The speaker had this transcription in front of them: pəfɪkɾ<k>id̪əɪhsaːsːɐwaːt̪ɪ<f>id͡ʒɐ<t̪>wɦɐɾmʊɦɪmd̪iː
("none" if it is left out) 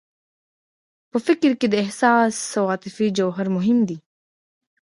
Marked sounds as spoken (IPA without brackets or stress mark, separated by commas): k, f, none